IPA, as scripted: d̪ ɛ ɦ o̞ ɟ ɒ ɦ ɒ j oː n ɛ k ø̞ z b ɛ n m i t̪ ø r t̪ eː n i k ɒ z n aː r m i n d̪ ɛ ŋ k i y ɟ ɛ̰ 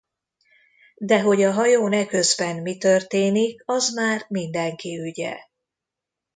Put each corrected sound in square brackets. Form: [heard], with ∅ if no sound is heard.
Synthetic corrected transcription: d̪ ɛ ɦ o̞ ɟ ɒ ɦ ɒ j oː n ɛ k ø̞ z b ɛ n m i t̪ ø r t̪ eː n i k ɒ z [m] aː r m i n d̪ ɛ ŋ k i y ɟ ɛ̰